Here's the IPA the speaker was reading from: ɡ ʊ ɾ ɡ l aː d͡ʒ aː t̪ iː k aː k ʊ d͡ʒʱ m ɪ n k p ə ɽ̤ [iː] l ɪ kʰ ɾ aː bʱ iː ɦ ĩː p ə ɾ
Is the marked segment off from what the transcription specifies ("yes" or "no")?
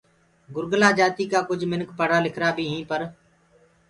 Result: yes